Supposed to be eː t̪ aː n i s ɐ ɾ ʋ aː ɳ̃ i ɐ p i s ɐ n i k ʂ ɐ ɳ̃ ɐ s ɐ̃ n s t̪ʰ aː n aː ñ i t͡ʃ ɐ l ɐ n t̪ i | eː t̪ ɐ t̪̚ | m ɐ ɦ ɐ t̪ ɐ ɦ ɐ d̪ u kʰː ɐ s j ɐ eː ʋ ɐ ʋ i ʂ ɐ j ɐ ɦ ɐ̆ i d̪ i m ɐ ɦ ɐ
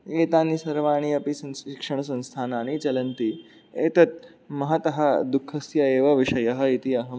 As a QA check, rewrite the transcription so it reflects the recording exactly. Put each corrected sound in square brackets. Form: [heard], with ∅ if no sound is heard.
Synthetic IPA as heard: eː t̪ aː n i s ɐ ɾ ʋ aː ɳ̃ i ɐ p i s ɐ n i k ʂ ɐ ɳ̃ ɐ s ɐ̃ n s t̪ʰ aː n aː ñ i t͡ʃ ɐ l ɐ n t̪ i | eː t̪ ɐ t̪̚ | m ɐ ɦ ɐ t̪ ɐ ɦ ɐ d̪ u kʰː ɐ s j ɐ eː ʋ ɐ ʋ i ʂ ɐ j ɐ ɦ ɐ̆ i [t̪] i [∅] ɐ ɦ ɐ